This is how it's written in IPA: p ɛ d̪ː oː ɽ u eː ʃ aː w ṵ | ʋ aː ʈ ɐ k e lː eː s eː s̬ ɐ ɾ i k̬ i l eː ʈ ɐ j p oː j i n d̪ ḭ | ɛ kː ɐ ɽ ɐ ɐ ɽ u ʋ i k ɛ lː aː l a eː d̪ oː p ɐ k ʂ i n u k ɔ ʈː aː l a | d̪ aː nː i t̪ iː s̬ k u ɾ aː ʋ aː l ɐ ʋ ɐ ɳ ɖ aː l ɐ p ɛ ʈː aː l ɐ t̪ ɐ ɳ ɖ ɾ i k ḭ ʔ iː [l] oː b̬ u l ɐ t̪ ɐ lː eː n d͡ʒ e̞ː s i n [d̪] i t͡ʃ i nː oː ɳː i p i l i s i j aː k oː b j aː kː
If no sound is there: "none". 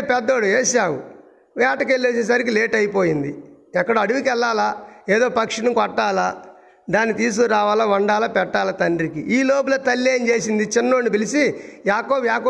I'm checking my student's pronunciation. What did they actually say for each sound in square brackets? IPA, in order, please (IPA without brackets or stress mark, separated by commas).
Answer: l, d̪